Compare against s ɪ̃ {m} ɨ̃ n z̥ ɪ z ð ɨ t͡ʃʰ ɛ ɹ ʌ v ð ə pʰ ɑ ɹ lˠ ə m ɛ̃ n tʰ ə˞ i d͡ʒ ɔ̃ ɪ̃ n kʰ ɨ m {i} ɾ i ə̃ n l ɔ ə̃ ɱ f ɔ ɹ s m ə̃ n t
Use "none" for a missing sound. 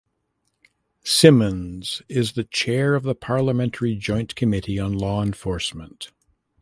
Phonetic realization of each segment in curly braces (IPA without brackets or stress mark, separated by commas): m, ɪ